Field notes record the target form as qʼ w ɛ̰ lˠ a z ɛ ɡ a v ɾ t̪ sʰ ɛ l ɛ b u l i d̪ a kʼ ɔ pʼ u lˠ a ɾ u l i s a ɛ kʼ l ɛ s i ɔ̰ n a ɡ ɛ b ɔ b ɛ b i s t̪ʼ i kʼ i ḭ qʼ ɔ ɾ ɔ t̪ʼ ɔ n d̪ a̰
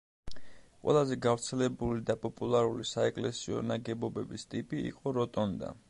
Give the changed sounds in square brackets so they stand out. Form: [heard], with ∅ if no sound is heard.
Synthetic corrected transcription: qʼ w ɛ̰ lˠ a z ɛ ɡ a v ɾ t̪ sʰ ɛ l ɛ b u l i d̪ a [pʼ] ɔ pʼ u lˠ a ɾ u l i s a ɛ kʼ l ɛ s i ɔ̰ n a ɡ ɛ b ɔ b ɛ b i s t̪ʼ i [pʼ] i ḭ qʼ ɔ ɾ ɔ t̪ʼ ɔ n d̪ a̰

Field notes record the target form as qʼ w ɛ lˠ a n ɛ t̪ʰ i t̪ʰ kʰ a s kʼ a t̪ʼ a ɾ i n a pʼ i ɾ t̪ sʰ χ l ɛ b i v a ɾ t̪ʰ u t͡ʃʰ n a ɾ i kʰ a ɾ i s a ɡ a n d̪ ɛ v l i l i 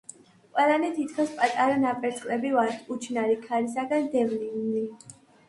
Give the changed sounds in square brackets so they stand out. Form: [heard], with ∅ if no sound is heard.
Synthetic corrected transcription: qʼ w ɛ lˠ a n ɛ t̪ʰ i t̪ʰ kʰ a s [pʼ] a t̪ʼ a ɾ [a] n a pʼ [ɛ] ɾ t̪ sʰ χ l ɛ b i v a ɾ t̪ʰ u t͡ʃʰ n a ɾ i kʰ a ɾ i s a ɡ a n d̪ ɛ v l i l i

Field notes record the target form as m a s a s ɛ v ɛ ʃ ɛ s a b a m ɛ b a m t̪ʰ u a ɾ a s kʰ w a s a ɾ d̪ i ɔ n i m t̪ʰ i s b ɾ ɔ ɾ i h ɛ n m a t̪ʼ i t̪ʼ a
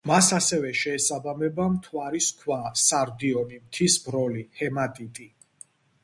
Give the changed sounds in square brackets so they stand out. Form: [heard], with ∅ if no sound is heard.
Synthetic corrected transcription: m a s a s ɛ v ɛ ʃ [ɛː] s a b a m ɛ b a m t̪ʰ [w] a ɾ [i] s kʰ w a s a ɾ d̪ i ɔ n i m t̪ʰ i s b ɾ ɔ [l] i h ɛ [∅] m a t̪ʼ i t̪ʼ [i]

